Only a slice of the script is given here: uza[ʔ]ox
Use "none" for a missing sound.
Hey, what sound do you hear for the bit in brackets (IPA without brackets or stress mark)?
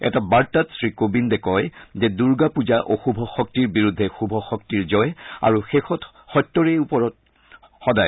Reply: ʔ